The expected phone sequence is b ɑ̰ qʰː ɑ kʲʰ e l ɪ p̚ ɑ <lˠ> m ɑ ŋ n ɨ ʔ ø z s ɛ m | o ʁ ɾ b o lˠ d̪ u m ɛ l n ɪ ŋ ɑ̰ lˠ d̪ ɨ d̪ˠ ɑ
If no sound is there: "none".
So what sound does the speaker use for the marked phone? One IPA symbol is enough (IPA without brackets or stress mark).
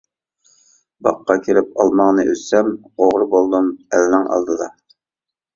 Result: lˠ